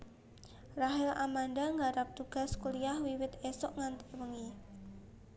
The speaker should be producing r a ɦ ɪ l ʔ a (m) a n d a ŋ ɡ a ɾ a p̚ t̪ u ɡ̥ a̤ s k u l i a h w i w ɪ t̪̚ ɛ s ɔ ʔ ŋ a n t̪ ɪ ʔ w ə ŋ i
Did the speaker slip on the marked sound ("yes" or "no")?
no